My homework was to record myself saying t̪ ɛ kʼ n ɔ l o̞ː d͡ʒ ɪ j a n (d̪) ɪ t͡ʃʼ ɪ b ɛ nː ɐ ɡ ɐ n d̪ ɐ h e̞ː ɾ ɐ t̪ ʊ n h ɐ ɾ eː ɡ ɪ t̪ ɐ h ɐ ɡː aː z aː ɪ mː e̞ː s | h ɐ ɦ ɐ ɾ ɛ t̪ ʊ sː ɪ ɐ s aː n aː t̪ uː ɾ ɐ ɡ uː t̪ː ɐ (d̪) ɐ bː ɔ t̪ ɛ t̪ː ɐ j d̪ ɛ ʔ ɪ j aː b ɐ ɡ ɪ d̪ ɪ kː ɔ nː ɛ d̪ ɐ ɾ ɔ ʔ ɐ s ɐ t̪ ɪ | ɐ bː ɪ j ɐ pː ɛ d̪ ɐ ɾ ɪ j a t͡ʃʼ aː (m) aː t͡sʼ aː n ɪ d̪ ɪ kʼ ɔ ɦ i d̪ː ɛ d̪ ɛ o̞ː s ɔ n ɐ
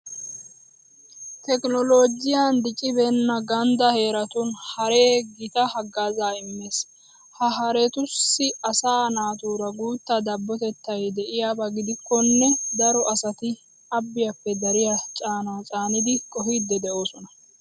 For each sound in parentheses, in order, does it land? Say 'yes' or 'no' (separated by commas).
yes, yes, no